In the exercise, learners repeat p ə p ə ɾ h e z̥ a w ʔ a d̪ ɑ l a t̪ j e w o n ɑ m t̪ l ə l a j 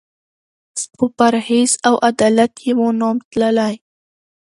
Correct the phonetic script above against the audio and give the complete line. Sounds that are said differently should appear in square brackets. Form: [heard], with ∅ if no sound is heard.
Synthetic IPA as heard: p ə p [a] ɾ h e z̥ a w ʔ a d̪ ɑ l a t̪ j e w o n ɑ m t̪ l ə l a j